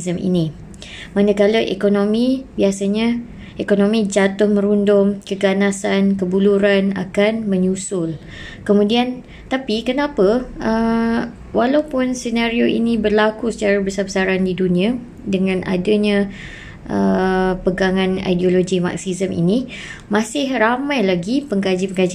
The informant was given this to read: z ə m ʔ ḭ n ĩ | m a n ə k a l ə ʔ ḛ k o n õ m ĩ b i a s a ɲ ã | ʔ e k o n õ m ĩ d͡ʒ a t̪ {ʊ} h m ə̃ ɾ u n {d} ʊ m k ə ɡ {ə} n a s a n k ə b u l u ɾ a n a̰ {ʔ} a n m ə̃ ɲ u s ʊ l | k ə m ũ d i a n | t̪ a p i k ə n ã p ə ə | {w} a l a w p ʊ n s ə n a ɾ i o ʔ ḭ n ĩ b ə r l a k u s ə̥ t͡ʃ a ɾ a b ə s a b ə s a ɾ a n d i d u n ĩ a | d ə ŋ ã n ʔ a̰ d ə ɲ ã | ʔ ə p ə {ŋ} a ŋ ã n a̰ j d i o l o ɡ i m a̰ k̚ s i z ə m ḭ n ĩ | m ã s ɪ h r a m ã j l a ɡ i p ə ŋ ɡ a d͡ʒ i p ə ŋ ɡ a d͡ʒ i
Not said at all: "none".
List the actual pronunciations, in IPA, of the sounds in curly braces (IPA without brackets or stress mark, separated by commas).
ʊ, d, a, k, w, ɡ